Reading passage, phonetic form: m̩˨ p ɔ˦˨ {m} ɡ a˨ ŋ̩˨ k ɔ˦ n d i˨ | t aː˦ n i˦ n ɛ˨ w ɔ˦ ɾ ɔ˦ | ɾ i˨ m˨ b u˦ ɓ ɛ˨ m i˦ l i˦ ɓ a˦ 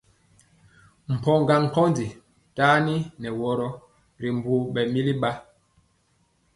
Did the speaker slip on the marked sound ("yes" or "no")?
yes